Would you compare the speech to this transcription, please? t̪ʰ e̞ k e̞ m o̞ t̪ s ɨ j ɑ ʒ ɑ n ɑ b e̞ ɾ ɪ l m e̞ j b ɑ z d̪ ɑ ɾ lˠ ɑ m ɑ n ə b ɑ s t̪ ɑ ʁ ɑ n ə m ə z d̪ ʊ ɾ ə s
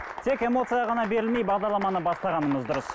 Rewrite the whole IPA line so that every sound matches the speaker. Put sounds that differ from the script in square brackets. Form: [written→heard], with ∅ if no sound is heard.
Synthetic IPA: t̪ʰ e̞ k e̞ m o̞ t̪ s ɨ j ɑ [ʒ→ʁ] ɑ n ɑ b e̞ ɾ ɪ l m e̞ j b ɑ [z→ʁ] d̪ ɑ ɾ lˠ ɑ m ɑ n ə b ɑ s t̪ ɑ ʁ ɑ n ə m ə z d̪ ʊ ɾ ə s